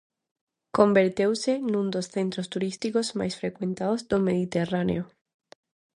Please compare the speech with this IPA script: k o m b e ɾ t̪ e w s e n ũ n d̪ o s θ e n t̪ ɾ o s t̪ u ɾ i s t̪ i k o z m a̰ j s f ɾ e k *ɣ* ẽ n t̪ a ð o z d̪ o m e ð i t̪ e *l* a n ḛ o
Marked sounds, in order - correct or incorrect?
incorrect: w, incorrect: r

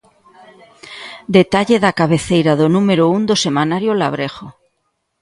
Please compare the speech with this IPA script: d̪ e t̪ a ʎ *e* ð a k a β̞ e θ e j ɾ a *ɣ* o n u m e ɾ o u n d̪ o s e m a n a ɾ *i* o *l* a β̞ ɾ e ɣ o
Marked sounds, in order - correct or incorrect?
correct, incorrect: ð, incorrect: j, correct

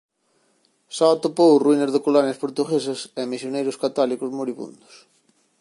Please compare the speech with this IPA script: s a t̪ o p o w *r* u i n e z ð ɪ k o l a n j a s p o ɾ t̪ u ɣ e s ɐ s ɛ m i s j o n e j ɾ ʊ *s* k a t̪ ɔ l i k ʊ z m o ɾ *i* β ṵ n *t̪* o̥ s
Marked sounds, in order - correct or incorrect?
correct, correct, correct, incorrect: d̪

